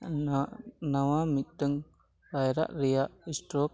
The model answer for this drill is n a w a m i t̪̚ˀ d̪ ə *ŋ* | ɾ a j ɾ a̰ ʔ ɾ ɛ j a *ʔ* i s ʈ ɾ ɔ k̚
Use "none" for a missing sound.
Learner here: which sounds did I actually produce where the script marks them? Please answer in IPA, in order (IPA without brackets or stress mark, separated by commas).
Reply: ŋ, ʔ